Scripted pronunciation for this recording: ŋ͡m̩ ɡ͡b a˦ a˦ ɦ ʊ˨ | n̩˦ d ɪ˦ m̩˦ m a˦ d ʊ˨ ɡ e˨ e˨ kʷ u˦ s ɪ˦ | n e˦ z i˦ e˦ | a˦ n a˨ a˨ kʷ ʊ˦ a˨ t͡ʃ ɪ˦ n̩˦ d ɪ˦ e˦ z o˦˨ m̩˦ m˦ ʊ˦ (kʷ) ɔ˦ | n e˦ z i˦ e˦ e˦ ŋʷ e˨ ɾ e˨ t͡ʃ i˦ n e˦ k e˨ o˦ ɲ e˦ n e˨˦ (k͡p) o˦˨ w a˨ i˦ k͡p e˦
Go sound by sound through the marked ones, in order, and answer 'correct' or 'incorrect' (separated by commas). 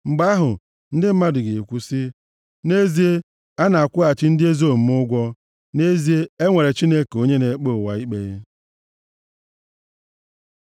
incorrect, correct